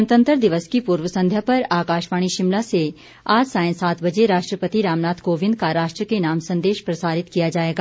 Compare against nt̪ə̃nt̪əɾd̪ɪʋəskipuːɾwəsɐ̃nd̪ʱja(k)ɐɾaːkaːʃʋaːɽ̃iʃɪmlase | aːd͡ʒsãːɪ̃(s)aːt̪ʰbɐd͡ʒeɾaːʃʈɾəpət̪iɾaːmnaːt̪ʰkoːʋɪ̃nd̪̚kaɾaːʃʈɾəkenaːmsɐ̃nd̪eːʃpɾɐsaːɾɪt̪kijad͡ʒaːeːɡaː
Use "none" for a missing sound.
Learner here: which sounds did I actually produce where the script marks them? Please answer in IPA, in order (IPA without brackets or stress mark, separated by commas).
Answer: p, s